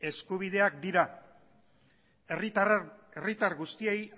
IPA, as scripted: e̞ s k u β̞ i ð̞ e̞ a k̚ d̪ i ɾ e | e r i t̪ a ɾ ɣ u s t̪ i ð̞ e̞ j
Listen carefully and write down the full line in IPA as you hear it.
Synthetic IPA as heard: e̞ s k u β̞ i ð̞ e̞ a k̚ d̪ i ɾ a | e r i t̪ a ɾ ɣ u s t̪ i e̞ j

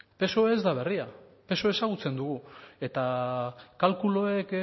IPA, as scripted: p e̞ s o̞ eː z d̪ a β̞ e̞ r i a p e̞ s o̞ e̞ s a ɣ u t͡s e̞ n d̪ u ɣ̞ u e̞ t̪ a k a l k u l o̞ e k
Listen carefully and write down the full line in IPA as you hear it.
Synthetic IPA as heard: p e̞ s o̞ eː z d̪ a β̞ e̞ r i a p e̞ s o̞ e̞ s a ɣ u t͡s e̞ n d̪ u ɣ̞ u e̞ t̪ a k a l k u l o̞ e k

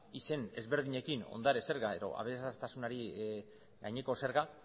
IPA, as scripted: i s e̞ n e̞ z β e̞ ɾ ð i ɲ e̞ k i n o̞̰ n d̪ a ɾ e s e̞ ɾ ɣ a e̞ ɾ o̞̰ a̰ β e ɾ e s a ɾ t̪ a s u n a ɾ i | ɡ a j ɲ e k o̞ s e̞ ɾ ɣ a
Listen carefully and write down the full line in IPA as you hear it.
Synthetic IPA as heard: i s e̞ n e̞ z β e̞ ɾ ð i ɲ e̞ k i n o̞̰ n d̪ a ɾ e s e̞ ɾ ɣ a e̞ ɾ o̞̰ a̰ β e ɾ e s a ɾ t̪ a s u n a ɾ i | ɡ a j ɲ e k o̞ s e̞ ɾ ɣ a

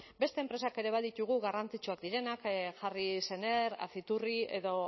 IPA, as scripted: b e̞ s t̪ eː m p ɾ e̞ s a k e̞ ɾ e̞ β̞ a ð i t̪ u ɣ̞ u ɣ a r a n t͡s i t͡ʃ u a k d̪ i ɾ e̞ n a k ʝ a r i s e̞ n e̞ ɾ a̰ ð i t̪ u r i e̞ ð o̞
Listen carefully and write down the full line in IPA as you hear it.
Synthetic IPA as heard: b e̞ s t̪ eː m p ɾ e̞ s a k e̞ ɾ e̞ β̞ a ð i t̪ u ɣ̞ u ɣ a r a n t͡s i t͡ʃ u a k d̪ i ɾ e̞ n a k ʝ a r i s e̞ n e̞ ɾ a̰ θ i t̪ u r i e̞ ð o̞

